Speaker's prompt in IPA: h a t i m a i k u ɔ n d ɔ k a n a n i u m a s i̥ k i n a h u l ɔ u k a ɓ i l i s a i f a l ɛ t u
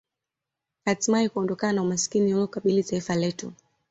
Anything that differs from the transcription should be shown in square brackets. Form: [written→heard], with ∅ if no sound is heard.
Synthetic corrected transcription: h a t i m a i k u ɔ n d ɔ k a n a n [i→a] u m a s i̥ k i n [a→i] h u l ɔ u k a ɓ i l i [s→t] a i f a l ɛ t u